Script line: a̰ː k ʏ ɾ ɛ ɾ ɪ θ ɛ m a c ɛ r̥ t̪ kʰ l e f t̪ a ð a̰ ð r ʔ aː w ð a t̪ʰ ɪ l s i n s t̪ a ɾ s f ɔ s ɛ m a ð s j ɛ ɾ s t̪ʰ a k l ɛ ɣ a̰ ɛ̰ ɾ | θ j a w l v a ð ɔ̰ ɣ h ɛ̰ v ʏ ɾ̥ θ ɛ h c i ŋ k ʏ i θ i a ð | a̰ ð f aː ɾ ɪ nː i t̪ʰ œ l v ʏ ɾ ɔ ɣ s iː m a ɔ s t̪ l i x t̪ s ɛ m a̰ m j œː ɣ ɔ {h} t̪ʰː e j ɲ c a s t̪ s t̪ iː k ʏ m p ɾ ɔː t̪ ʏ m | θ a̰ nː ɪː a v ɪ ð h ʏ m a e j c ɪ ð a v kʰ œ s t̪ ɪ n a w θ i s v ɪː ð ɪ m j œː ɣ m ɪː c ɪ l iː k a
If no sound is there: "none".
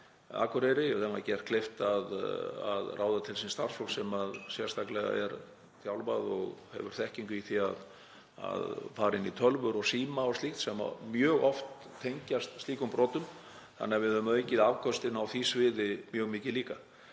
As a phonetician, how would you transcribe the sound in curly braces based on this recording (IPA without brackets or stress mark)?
f